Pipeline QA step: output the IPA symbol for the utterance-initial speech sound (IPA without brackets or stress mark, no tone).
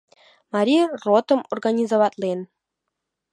m